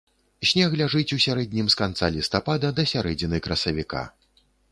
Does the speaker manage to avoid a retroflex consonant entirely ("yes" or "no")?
no